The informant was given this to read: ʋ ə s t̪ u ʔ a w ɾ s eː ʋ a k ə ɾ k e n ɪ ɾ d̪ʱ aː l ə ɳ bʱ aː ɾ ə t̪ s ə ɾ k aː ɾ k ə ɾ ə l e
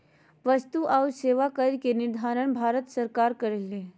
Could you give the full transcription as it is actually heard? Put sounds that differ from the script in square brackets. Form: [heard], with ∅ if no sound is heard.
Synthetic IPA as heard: ʋ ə s t̪ u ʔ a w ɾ s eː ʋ a k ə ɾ k e n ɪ ɾ d̪ʱ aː [ɾ] ə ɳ bʱ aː ɾ ə t̪ s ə ɾ k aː ɾ k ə ɾ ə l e